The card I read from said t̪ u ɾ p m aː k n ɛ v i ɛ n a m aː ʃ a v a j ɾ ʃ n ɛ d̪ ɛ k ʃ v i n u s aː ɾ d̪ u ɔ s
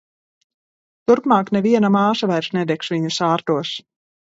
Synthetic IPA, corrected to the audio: t̪ u ɾ p m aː k n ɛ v i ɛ n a m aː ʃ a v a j ɾ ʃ n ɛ d̪ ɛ k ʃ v i ɲ u s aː ɾ t̪ u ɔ s